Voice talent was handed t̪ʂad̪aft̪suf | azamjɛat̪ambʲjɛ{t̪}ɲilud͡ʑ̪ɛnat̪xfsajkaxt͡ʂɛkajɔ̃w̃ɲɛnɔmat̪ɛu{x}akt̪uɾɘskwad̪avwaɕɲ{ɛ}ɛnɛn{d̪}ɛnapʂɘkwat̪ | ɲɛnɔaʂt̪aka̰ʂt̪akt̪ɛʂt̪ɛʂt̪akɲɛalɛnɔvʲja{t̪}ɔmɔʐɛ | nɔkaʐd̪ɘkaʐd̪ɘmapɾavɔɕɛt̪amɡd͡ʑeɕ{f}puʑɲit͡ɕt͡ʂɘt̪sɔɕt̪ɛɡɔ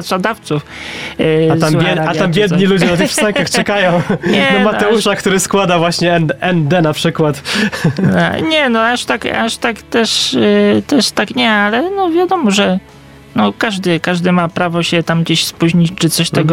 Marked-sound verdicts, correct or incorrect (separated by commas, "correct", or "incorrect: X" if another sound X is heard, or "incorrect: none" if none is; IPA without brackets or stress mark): incorrect: d̪, incorrect: ʂ, correct, correct, incorrect: d̪, incorrect: s